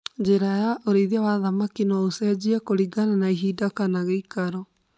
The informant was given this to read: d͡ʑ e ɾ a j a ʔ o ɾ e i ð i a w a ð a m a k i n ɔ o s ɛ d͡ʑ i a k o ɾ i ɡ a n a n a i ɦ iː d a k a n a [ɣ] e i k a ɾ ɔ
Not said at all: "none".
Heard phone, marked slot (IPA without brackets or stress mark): ɣ